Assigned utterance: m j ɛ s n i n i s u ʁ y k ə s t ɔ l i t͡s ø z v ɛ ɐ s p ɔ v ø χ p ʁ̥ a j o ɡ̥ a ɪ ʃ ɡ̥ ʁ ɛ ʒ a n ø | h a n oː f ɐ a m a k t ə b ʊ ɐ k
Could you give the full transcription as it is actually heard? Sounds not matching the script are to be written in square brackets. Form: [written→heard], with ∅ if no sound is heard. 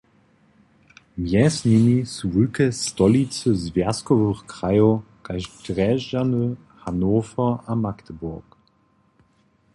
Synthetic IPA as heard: m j ɛ s n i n i s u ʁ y k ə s t ɔ l i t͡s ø z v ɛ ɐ s [p→k] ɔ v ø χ [p→k] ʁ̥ a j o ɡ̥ a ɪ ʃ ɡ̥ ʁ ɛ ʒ a n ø | h a n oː f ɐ a m a k t ə b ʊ ɐ k

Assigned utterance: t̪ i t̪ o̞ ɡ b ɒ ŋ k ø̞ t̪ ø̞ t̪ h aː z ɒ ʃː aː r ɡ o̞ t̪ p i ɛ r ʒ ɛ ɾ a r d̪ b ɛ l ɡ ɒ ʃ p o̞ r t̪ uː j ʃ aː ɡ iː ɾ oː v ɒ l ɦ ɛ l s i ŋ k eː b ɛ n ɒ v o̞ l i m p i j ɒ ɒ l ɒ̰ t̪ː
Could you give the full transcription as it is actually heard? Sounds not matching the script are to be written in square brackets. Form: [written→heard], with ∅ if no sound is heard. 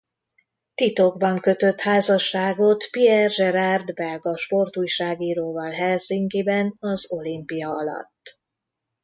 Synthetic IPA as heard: t̪ i t̪ o̞ ɡ b ɒ ŋ k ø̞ t̪ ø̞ t̪ h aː z ɒ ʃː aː [r→∅] ɡ o̞ t̪ p i ɛ r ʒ ɛ ɾ a r d̪ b ɛ l ɡ ɒ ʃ p o̞ r t̪ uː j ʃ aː ɡ iː ɾ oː v ɒ l ɦ ɛ l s i ŋ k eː b ɛ n ɒ [v→z] o̞ l i m p i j ɒ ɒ l ɒ̰ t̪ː

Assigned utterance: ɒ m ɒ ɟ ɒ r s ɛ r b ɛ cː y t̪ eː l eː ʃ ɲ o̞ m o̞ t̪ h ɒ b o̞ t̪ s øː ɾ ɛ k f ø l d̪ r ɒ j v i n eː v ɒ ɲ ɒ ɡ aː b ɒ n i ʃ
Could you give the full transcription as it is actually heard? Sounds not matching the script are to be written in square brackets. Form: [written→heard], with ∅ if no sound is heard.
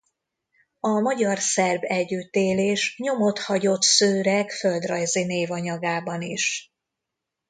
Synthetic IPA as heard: ɒ m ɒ ɟ ɒ r s ɛ r b ɛ [cː→ɟː] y t̪ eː l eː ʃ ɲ o̞ m o̞ t̪ h ɒ [b→ɟ] o̞ t̪ s øː ɾ ɛ k f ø l d̪ r ɒ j [v→z] i n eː v ɒ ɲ ɒ ɡ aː b ɒ n i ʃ

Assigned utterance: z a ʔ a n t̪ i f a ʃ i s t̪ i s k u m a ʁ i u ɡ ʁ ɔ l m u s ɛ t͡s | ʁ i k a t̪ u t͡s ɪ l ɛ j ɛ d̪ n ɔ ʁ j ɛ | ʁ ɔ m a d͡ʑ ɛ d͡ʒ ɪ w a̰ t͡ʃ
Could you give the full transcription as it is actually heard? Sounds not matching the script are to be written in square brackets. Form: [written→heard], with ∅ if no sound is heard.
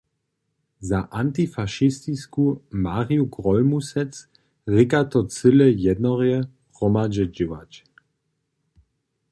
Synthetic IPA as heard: z a ʔ a n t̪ i f a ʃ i s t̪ i s k u m a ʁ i u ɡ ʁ ɔ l m u s ɛ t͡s | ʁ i k a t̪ [u→ɔ] t͡s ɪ l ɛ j ɛ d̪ n ɔ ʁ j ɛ | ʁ ɔ m a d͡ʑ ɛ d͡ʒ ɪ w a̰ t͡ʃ

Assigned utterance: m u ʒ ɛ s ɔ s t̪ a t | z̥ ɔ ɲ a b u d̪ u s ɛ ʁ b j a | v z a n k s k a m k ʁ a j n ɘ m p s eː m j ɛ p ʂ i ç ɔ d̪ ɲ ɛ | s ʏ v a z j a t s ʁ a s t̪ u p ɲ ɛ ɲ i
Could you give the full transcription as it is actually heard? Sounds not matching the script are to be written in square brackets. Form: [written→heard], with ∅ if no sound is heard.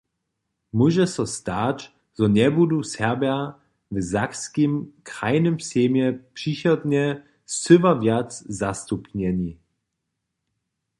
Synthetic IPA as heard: m u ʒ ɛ s ɔ s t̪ a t | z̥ ɔ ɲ [a→ɛ] b u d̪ u s ɛ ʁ b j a | v z a [n→∅] k s k [a→i] m k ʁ a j n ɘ m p s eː m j ɛ p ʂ i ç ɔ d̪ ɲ ɛ | s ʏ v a [z→v] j a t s [ʁ→z] a s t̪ u p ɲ ɛ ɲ i

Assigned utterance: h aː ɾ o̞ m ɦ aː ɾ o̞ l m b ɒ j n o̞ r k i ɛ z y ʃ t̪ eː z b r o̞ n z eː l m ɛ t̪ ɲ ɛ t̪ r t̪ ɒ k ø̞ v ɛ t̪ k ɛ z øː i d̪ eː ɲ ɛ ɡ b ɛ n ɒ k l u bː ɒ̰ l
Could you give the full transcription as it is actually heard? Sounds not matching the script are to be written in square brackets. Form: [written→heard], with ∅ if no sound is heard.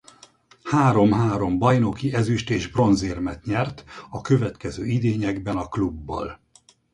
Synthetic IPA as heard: h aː ɾ o̞ m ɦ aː ɾ o̞ [l→∅] m b ɒ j n o̞ [r→∅] k i ɛ z y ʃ t̪ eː [z→ʒ] b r o̞ n z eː [l→r] m ɛ t̪ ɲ ɛ [t̪→∅] r t̪ ɒ k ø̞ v ɛ t̪ k ɛ z øː i d̪ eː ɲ ɛ ɡ b ɛ n ɒ k l u bː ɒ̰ l

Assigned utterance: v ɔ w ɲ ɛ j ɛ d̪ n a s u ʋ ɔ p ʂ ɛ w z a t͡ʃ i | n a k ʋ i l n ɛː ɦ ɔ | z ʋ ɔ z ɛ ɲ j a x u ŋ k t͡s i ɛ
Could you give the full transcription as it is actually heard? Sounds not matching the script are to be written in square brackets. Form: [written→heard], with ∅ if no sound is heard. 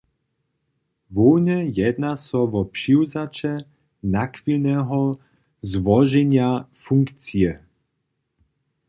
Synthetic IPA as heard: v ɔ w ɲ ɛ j ɛ d̪ n a s [u→ɔ] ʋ ɔ p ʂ [ɛ→i] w z a t͡ʃ [i→ɛ] | n a k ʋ i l n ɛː ɦ ɔ | z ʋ ɔ [z→ʒ] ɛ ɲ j a [x→f] u ŋ k t͡s i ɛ

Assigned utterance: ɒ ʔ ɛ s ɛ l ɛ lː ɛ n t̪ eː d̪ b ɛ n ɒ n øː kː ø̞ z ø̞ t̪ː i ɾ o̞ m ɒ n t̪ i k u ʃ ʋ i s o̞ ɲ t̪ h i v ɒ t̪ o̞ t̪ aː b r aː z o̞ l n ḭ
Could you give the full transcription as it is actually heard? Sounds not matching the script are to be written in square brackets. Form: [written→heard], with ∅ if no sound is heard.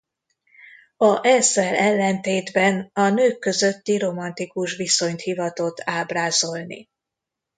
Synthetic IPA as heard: ɒ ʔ ɛ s ɛ l ɛ lː ɛ n t̪ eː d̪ b ɛ n ɒ n øː kː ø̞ z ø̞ t̪ː i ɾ o̞ m ɒ n t̪ i k u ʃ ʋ i s o̞ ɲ t̪ h i v ɒ t̪ o̞ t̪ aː b r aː z o̞ l n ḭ

